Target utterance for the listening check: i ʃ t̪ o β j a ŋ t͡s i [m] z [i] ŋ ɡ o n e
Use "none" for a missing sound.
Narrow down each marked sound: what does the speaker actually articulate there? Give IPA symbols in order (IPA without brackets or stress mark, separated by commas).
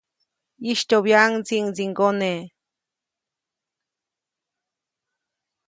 ŋ, i